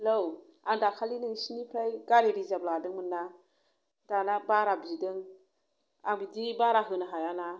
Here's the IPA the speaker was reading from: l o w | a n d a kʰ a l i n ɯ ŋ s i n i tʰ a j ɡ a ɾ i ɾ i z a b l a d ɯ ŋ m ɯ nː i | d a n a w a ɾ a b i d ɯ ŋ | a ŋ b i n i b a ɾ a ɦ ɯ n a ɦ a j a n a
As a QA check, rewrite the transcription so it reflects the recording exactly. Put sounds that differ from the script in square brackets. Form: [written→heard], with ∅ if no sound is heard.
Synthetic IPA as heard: l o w | a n d a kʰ a l i n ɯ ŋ s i n i [tʰ→pʰ] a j ɡ a ɾ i ɾ i z a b l a d ɯ ŋ m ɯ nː [i→a] | d a n a [w→b] a ɾ a b i d ɯ ŋ | a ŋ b i [n→d] i b a ɾ a ɦ ɯ n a ɦ a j a n a